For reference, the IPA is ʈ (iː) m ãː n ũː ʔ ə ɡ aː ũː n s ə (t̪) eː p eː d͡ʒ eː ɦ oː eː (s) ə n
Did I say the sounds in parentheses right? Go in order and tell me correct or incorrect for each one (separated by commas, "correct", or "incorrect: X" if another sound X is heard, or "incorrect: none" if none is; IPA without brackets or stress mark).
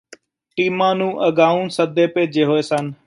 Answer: correct, incorrect: d̪, correct